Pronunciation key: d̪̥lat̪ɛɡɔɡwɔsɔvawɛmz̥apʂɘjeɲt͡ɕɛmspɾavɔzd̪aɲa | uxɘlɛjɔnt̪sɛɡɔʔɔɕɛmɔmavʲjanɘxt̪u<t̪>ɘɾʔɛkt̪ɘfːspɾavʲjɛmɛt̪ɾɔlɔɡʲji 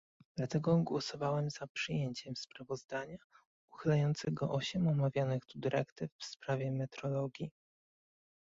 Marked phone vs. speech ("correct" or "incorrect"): incorrect